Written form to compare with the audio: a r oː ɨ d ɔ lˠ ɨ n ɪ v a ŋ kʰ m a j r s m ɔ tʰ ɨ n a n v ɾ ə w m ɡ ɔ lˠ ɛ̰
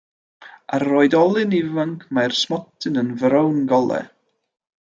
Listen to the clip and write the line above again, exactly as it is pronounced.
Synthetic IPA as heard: a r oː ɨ d ɔ lˠ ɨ n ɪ v a ŋ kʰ m a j r s m ɔ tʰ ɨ n ə n v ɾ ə w n ɡ ɔ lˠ ɛ̰